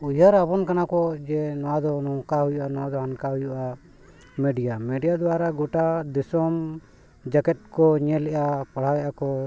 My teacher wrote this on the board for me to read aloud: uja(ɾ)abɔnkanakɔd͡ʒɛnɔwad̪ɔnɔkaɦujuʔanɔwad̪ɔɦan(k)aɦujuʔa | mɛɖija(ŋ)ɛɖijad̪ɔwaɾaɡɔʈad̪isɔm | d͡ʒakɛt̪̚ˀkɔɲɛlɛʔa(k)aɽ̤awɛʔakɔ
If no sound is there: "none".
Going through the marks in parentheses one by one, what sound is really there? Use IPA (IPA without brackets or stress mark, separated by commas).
ɾ, k, m, p